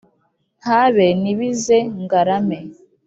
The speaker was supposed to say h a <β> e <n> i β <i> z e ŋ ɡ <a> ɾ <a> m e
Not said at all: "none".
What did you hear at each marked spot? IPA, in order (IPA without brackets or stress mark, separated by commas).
β, n, i, a, a